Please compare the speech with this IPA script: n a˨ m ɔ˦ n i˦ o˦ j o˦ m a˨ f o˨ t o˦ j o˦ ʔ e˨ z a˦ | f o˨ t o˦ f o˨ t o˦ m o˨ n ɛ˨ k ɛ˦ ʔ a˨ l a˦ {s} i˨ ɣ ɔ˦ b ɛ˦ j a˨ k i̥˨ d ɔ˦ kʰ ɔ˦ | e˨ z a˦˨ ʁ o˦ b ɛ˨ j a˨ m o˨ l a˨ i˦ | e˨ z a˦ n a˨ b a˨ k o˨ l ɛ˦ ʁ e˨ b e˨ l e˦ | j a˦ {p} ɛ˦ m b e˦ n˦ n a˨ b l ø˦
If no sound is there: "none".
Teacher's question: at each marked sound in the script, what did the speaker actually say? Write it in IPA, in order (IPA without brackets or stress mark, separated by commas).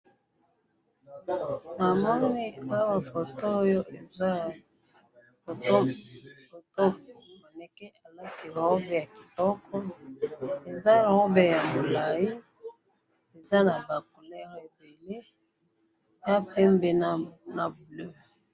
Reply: t, p